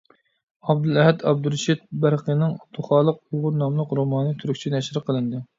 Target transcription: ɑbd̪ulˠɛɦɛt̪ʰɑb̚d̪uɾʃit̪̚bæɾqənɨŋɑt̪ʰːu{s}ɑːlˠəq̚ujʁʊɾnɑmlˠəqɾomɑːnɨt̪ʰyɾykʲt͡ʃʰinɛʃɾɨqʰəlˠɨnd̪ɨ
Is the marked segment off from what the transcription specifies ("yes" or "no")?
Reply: yes